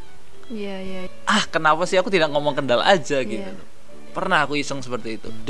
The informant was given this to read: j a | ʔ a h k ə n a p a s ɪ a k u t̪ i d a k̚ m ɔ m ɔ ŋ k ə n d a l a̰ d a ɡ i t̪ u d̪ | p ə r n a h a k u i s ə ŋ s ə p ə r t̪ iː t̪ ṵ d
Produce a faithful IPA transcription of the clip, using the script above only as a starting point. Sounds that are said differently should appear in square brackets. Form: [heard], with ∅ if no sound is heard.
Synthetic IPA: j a | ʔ a h k ə n a p a s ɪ a k u t̪ i d a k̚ [ŋ] ɔ m ɔ ŋ k ə n d a l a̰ [d͡ʒ] a ɡ i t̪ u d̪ | p ə r n a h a k u i s ə ŋ s ə p ə r t̪ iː t̪ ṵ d